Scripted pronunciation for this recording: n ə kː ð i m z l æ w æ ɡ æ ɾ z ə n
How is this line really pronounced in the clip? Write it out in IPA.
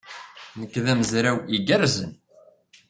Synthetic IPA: n ə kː ð æ m z ɾ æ w i ɡ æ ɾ z ə n